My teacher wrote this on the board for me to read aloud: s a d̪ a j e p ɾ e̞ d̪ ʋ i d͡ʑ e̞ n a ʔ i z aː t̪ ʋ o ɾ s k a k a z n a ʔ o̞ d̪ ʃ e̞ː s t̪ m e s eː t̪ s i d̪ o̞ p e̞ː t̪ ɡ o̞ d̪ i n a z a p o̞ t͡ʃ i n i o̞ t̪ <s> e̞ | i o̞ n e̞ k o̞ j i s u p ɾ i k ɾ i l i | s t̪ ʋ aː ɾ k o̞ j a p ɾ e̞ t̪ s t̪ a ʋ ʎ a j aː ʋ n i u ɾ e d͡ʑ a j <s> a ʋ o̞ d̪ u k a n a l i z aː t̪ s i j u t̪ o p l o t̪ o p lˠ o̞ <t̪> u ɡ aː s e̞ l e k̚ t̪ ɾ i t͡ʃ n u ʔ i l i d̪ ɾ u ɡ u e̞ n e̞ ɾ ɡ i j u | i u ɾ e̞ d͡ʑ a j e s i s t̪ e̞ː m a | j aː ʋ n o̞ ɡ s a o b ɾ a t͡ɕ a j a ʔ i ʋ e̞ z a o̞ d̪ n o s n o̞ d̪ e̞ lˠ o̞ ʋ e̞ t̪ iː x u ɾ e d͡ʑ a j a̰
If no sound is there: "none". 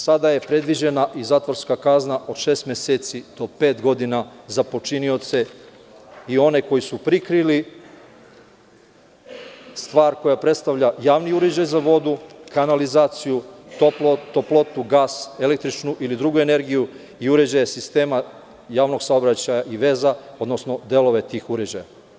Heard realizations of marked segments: s, z, t̪

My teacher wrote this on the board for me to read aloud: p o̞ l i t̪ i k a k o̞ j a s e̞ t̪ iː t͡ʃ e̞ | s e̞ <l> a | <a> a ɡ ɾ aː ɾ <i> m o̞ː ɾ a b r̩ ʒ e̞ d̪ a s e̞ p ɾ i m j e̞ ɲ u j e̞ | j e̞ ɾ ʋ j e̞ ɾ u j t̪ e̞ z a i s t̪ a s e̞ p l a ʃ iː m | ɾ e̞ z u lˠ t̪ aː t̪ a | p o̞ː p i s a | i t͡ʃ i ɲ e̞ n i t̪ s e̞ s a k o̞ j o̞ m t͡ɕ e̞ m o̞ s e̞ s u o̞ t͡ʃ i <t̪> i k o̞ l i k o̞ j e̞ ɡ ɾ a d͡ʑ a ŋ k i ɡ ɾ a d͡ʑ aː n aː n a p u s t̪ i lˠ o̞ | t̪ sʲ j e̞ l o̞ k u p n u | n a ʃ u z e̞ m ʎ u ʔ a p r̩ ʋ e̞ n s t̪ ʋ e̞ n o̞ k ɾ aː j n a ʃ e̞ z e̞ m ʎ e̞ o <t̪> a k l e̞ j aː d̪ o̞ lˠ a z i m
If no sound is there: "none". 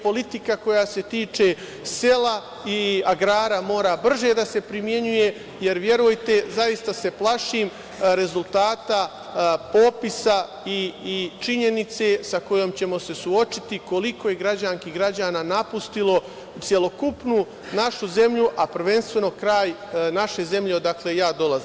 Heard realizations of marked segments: l, i, a, t̪, d̪

